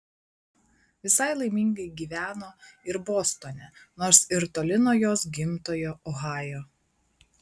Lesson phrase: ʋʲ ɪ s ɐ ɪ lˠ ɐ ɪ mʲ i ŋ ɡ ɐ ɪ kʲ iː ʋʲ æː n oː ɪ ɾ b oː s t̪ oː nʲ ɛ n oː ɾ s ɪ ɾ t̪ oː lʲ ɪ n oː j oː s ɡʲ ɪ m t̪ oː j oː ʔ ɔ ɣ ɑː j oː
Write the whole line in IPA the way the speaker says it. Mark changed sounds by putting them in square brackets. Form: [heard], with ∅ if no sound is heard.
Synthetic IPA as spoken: ʋʲ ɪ s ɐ ɪ lˠ ɐ ɪ mʲ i ŋ ɡ ɐ ɪ [ɡʲ] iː ʋʲ æː n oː ɪ ɾ b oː s t̪ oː nʲ ɛ n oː ɾ s ɪ ɾ t̪ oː lʲ ɪ n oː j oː s ɡʲ ɪ m t̪ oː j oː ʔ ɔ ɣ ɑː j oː